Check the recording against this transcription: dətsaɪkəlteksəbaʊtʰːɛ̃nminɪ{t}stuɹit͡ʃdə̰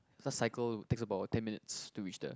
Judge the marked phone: correct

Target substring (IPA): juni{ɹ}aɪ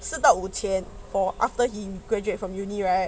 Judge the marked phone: correct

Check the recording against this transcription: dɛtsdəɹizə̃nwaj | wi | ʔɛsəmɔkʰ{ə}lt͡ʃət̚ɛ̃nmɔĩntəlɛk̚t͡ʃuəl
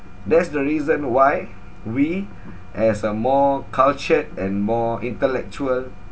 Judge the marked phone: incorrect: a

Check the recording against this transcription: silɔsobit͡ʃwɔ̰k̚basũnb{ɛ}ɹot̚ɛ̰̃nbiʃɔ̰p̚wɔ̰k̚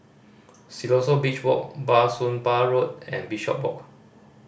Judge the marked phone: incorrect: a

